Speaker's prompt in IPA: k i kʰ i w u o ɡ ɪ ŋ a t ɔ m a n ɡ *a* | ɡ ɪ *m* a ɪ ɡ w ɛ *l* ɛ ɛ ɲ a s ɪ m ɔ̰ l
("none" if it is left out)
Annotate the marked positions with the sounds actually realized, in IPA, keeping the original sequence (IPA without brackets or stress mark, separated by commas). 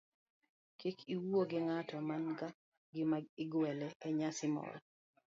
a, m, l